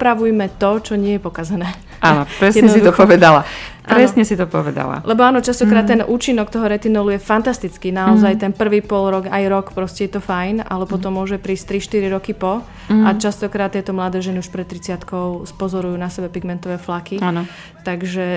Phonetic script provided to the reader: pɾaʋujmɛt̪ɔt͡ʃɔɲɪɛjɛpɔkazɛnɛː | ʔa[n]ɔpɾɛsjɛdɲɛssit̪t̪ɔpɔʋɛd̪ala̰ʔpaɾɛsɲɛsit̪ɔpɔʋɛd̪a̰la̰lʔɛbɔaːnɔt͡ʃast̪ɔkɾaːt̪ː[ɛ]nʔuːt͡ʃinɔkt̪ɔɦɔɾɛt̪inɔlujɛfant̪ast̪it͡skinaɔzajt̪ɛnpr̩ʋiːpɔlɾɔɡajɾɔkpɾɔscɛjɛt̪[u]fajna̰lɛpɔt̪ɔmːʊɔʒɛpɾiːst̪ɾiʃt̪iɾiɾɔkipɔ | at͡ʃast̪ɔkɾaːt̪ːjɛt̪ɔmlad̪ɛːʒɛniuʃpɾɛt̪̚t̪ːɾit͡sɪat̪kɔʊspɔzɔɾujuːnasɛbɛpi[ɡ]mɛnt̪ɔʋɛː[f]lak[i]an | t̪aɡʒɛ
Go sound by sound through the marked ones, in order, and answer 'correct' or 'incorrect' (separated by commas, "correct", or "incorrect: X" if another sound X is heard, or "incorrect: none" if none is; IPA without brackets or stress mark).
correct, correct, incorrect: ɔ, correct, correct, correct